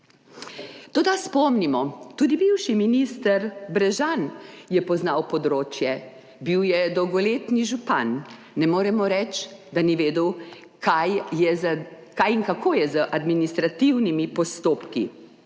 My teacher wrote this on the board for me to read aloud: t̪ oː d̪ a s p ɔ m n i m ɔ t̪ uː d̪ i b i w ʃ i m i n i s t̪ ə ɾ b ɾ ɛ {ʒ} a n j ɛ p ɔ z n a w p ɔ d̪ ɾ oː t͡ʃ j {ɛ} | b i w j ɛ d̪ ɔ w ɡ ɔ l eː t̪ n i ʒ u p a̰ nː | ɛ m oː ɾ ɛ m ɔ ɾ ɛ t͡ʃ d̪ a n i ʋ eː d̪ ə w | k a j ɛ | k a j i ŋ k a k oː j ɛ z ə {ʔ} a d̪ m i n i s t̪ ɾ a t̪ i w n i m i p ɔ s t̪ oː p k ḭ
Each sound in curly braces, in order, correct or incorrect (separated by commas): correct, correct, correct